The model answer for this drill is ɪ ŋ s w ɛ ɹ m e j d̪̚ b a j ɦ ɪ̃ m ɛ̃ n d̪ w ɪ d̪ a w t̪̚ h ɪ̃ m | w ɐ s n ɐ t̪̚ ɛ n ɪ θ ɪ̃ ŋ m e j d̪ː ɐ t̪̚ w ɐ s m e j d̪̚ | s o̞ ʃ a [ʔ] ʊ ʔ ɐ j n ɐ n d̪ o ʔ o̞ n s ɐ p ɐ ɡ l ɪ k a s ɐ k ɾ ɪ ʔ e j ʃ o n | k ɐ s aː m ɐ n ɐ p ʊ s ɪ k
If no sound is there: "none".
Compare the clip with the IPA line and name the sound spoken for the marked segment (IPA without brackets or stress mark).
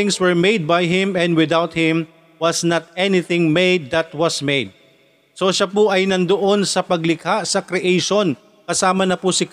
p